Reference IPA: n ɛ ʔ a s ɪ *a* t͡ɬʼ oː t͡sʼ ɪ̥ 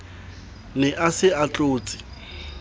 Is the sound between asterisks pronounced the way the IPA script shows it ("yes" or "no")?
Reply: yes